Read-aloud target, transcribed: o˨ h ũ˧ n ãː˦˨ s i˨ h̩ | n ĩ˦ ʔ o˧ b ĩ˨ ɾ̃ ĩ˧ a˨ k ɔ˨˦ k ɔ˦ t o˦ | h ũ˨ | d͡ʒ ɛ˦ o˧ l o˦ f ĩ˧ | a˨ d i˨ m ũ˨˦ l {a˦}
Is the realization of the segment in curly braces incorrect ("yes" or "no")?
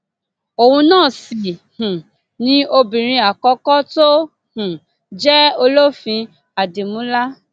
no